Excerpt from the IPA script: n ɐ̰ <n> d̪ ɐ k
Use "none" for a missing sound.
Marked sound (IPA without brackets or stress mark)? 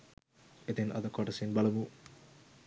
none